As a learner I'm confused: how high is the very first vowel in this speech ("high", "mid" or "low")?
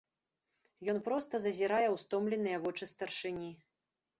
mid